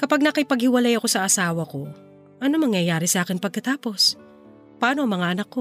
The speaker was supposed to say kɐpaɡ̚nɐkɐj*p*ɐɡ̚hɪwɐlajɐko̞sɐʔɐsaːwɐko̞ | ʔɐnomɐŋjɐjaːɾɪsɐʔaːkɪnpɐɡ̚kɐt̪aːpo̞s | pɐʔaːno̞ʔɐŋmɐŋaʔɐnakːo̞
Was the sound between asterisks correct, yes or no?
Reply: yes